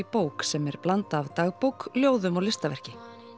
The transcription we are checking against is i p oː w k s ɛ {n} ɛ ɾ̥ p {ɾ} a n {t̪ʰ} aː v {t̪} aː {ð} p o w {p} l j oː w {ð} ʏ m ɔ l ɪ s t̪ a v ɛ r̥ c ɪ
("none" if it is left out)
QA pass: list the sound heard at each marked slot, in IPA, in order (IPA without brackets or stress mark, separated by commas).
m, l, t̪, t̪, ɣ, k, ð